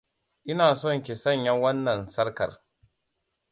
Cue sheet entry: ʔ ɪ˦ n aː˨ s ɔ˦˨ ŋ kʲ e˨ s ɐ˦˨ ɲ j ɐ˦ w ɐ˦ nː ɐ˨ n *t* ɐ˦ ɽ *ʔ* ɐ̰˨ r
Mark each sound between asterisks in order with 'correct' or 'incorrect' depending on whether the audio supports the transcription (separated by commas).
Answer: incorrect, incorrect